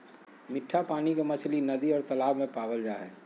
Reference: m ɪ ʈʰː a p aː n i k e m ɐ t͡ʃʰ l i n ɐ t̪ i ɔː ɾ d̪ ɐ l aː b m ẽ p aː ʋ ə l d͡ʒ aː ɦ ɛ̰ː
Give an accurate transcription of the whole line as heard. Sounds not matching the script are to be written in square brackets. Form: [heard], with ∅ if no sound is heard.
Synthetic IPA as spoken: m ɪ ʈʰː a p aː n i k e m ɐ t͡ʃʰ l i n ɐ [d̪] i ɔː ɾ [t̪] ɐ l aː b m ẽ p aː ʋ ə l d͡ʒ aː ɦ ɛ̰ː